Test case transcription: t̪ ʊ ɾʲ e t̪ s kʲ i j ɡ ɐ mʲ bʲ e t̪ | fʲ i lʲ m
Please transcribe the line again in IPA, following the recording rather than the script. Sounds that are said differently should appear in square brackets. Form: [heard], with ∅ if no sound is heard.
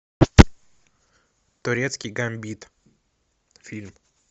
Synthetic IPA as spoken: t̪ ʊ ɾʲ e t̪ s kʲ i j ɡ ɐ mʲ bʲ [i] t̪ | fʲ i lʲ m